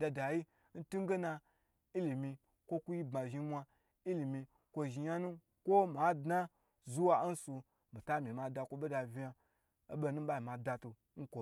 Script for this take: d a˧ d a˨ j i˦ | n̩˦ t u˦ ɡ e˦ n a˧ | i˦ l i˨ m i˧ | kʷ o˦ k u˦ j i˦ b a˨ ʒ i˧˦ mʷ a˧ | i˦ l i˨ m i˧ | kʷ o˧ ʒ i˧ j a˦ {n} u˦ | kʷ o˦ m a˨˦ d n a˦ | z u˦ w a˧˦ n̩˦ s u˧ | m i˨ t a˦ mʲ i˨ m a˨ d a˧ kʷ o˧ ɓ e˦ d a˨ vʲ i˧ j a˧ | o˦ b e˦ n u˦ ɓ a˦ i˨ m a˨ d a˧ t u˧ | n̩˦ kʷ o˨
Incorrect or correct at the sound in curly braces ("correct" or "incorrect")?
correct